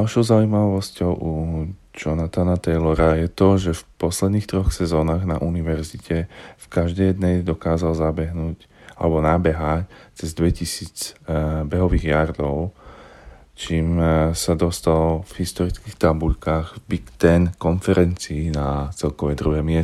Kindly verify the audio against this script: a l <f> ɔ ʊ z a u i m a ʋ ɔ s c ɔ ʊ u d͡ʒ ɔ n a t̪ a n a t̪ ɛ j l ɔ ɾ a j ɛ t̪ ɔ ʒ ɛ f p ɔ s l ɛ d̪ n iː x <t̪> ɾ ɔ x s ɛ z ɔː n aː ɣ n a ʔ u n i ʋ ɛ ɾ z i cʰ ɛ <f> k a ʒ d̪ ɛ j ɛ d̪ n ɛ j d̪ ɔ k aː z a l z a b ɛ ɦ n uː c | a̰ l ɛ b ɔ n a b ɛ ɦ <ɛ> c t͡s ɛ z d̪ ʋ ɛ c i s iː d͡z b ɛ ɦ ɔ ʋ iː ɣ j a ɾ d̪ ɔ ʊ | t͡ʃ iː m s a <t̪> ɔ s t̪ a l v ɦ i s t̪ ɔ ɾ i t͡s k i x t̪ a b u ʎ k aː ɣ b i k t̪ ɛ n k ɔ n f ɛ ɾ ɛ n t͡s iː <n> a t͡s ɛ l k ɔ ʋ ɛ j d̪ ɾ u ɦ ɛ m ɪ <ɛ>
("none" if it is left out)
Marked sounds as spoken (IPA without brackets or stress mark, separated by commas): ʃ, t̪, f, a, d̪, n, ɛ